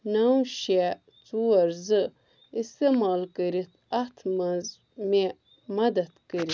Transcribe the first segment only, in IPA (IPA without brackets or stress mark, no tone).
n